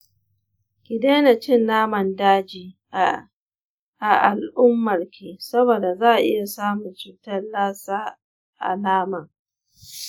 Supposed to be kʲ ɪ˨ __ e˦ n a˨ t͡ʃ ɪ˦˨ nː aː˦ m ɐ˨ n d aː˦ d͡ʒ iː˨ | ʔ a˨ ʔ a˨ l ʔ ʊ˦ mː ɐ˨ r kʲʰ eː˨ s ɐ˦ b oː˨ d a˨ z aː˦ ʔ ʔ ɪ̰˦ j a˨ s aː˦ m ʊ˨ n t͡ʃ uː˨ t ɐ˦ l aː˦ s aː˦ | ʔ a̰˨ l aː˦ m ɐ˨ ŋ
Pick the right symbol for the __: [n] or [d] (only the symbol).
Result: d